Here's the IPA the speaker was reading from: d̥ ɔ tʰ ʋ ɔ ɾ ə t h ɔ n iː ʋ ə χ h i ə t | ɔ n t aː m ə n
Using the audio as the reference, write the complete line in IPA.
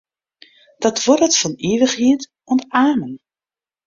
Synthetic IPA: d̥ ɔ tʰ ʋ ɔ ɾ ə t f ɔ n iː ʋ ə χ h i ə t | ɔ n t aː m ə n